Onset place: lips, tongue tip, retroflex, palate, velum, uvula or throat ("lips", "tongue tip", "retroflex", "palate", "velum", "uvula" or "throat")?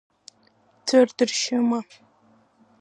tongue tip